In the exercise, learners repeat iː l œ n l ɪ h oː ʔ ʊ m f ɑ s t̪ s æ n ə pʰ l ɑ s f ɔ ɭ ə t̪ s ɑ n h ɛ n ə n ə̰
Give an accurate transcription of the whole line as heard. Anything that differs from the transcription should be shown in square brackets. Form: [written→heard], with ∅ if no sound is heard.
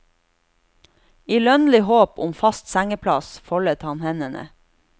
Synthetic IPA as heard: iː l œ n l ɪ h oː [ʔ→p] ʊ m f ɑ s t̪ s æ [n→ŋ] ə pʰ l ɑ s f ɔ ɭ ə t̪ [s→h] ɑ n h ɛ n ə n ə̰